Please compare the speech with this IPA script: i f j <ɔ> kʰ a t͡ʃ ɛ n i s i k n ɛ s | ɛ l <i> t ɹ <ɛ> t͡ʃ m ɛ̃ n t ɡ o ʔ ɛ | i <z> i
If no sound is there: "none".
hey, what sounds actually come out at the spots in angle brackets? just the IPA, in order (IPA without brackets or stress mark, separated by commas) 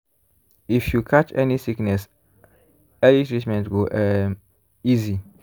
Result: u, i, i, z